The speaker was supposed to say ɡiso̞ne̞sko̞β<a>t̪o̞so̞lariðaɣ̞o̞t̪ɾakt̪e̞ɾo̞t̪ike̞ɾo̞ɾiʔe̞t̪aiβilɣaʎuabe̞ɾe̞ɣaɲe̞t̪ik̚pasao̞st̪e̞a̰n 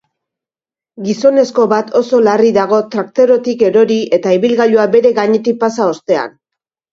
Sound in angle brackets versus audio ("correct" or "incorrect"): correct